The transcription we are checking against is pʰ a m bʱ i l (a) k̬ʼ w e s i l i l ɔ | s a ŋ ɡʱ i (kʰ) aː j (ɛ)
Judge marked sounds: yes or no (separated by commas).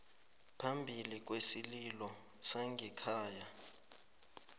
no, yes, no